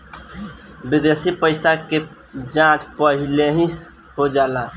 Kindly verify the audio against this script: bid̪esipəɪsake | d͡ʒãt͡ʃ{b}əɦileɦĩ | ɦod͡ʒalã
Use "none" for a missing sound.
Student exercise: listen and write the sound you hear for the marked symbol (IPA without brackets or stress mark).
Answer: p